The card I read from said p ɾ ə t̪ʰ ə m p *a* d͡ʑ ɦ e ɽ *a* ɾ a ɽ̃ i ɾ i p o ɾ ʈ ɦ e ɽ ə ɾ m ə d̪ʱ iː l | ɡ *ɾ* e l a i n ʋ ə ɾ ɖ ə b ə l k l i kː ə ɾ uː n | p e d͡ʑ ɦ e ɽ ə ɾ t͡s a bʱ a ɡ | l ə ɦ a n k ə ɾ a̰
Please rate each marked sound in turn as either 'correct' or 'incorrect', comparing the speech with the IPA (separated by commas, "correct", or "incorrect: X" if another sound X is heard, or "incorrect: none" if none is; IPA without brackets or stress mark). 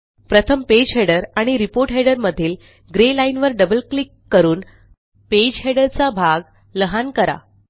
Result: incorrect: e, incorrect: ə, correct